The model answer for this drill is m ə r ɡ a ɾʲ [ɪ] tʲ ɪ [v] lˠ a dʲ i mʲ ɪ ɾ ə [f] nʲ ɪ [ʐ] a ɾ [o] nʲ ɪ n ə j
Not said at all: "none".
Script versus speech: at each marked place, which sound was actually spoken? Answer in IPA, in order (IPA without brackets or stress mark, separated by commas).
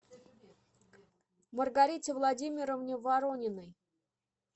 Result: i, v, v, v, o